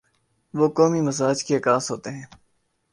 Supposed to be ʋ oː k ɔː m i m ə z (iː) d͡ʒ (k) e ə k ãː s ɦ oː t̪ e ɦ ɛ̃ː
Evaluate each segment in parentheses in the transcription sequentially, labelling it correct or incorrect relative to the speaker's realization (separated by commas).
incorrect, correct